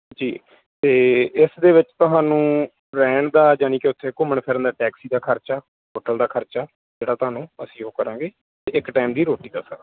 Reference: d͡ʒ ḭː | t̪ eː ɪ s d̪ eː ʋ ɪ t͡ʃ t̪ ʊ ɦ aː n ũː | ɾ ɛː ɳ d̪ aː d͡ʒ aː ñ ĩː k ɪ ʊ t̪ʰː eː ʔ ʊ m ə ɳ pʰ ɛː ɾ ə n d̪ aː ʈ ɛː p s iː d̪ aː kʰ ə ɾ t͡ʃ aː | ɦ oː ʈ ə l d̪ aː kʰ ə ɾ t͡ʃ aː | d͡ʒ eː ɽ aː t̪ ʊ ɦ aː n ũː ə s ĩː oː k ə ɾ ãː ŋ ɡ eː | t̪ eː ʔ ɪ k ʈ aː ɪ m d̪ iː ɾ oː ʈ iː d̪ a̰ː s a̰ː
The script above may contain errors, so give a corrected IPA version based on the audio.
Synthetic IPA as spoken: d͡ʒ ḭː | t̪ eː ɪ s d̪ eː ʋ ɪ t͡ʃ t̪ ʊ ɦ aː n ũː | ɾ ɛː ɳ d̪ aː d͡ʒ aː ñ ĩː k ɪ ʊ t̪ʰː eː k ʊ m ə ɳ pʰ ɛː ɾ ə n d̪ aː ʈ ɛː k s iː d̪ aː kʰ ə ɾ t͡ʃ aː | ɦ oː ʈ ə l d̪ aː kʰ ə ɾ t͡ʃ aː | d͡ʒ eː ɽ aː t̪ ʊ ɦ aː n ũː ə s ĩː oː k ə ɾ ãː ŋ ɡ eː | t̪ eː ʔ ɪ k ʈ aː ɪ m d̪ iː ɾ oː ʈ iː d̪ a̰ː s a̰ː